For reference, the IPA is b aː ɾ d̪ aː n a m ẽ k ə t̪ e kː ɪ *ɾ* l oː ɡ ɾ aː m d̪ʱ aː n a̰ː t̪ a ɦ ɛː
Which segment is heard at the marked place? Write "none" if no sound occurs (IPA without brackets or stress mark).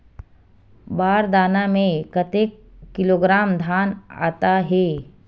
none